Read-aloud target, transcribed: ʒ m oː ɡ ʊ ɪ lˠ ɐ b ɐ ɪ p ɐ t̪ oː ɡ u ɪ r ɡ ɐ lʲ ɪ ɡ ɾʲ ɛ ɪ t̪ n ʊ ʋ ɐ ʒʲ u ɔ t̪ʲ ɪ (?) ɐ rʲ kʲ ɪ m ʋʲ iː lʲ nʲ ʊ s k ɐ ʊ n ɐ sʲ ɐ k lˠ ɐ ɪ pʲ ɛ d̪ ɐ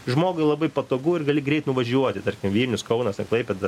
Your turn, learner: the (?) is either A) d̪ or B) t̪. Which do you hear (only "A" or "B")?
B